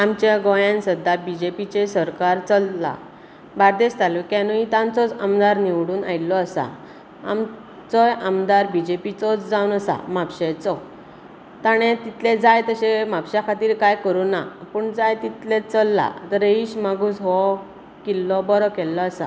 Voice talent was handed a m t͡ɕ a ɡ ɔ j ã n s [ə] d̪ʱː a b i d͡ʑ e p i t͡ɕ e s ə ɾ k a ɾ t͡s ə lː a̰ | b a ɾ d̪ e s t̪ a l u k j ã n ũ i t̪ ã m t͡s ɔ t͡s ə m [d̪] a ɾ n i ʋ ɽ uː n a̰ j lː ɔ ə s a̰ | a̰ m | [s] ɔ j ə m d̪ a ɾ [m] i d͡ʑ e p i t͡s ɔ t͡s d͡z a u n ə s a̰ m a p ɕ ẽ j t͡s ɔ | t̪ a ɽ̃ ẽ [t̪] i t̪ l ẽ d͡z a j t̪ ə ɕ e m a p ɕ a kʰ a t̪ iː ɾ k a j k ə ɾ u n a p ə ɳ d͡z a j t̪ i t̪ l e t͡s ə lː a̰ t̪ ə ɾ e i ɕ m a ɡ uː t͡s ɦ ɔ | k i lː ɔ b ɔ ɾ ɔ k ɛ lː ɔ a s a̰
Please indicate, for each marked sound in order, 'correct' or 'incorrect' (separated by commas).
correct, correct, incorrect, incorrect, correct